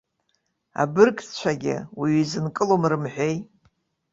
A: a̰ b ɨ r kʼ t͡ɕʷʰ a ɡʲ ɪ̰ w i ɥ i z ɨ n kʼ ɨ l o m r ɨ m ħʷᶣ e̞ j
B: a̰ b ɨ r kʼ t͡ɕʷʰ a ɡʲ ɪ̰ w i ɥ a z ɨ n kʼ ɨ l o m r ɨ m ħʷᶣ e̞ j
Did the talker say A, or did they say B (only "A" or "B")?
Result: A